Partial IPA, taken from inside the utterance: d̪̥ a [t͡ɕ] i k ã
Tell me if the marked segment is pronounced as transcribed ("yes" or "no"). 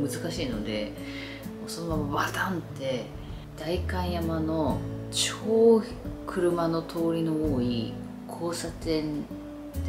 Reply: no